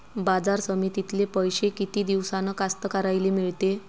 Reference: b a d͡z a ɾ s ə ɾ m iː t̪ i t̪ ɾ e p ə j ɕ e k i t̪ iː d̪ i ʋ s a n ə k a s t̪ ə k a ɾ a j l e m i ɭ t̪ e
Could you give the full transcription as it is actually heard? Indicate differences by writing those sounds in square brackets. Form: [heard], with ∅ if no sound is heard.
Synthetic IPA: b a d͡z a ɾ s ə [∅] m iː t̪ i t̪ [l] e p ə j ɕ e k i t̪ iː d̪ i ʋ s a n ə k a s t̪ ə k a ɾ a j l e m i ɭ t̪ e